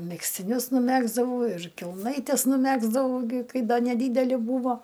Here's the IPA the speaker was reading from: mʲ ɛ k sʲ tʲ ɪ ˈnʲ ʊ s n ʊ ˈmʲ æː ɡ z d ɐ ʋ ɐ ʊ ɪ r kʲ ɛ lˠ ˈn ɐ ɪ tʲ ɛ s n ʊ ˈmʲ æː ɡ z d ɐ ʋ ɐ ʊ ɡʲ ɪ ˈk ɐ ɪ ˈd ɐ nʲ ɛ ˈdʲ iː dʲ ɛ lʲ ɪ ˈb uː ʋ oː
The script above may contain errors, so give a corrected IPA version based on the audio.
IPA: mʲ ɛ k sʲ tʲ ɪ ˈnʲ ʊ s n ʊ ˈmʲ æː ɡ z d ɐ ʋ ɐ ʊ ɪ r kʲ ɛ lˠ ˈn ɐ ɪ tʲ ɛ s n ʊ ˈmʲ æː ɡ z d ɐ ʋ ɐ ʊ ɡʲ ɪ ˈk ɐ ɪ ˈd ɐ nʲ ɛ ˈdʲ iː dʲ ɛ lʲ ɪ ˈb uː ʋ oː